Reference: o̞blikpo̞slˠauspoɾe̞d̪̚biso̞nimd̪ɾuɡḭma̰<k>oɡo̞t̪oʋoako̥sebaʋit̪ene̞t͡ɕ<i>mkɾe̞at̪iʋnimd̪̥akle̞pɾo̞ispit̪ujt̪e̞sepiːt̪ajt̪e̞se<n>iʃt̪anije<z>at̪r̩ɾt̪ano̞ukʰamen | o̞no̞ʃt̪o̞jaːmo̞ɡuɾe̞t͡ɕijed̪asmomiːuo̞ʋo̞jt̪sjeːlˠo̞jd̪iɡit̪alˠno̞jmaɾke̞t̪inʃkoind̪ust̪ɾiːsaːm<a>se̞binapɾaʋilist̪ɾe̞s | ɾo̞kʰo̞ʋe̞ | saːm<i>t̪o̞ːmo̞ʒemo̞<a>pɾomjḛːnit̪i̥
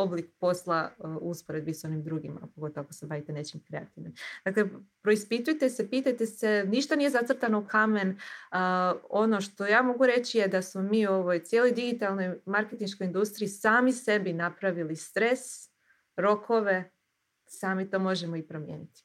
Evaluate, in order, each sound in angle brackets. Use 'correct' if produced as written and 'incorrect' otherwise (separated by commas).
incorrect, correct, correct, correct, incorrect, correct, incorrect